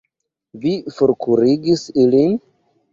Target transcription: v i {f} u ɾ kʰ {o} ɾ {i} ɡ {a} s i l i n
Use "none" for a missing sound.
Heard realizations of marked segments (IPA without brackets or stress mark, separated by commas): f, u, i, i